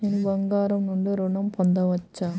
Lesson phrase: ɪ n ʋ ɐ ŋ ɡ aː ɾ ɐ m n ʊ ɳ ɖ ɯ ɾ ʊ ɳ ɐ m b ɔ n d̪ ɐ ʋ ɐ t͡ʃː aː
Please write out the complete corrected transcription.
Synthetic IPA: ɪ n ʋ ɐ ŋ ɡ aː ɾ ɐ m n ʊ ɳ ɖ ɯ ɾ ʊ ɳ ɐ m p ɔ n d̪ ɐ ʋ ɐ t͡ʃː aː